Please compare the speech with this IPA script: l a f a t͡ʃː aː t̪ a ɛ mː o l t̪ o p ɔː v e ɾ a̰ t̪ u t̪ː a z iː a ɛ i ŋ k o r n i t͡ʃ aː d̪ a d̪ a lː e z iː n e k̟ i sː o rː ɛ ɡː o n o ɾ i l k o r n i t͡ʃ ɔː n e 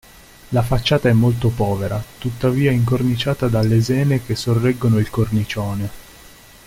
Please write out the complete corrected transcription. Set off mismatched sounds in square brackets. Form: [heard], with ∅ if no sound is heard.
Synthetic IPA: l a f a t͡ʃː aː t̪ a ɛ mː o l t̪ o p ɔː v e ɾ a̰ t̪ u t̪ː a [v] iː a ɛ i ŋ k o r n i t͡ʃ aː [t̪] a d̪ a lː e z [ɛː] n e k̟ [e] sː o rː ɛ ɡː o n o [∅] i l k o r n i t͡ʃ ɔː n e